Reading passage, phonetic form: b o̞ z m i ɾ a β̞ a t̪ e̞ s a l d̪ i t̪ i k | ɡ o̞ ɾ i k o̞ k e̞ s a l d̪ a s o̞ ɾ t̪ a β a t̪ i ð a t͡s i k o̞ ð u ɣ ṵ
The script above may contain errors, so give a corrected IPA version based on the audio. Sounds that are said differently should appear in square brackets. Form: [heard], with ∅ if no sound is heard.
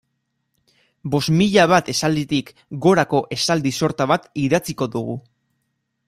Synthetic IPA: b o̞ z m i [ʎ] a β̞ a t̪ e̞ s a l d̪ i t̪ i k | ɡ o̞ ɾ [a] k o̞ [ʔ] e̞ s a l d̪ [i] s o̞ ɾ t̪ a β a t̪ i ð a t͡s i k o̞ ð u ɣ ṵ